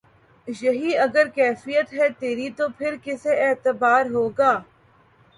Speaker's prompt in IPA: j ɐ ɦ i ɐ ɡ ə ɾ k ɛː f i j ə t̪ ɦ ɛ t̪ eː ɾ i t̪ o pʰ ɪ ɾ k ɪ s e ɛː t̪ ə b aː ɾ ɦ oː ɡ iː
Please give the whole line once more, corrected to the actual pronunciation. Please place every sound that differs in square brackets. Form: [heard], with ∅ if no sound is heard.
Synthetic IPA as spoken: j ɐ ɦ i ɐ ɡ ə ɾ k ɛː f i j ə t̪ ɦ ɛ t̪ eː ɾ i t̪ o pʰ ɪ ɾ k ɪ s e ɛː t̪ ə b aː ɾ ɦ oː ɡ [aː]